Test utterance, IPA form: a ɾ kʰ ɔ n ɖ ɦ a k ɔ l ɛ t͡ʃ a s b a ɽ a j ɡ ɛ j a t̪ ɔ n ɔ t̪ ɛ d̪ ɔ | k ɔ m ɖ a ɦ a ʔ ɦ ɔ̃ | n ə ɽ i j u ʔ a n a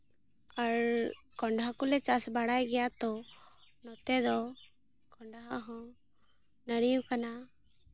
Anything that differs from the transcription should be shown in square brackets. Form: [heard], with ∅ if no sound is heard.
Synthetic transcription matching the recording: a ɾ [k] ɔ [ɳ] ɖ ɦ a k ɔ l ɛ t͡ʃ a s b a ɽ a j ɡ ɛ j a t̪ ɔ n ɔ t̪ ɛ d̪ ɔ | k ɔ [ɳ] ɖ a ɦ a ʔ ɦ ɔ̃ | n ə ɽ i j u [k] a n a